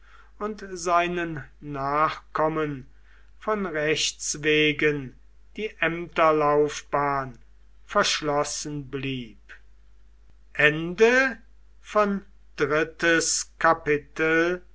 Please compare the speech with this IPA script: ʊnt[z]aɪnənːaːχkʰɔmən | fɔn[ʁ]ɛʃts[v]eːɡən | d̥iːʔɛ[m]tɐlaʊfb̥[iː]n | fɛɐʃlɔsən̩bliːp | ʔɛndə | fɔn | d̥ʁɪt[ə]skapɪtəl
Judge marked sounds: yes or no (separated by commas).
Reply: yes, yes, yes, yes, no, yes